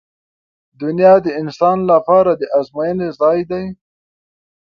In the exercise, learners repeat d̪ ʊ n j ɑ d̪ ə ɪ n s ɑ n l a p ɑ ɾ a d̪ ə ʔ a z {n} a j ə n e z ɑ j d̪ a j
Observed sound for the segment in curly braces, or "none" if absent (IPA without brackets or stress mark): m